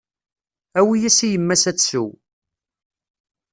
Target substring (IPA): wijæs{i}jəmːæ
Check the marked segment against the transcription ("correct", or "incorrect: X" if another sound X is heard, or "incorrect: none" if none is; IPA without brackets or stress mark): correct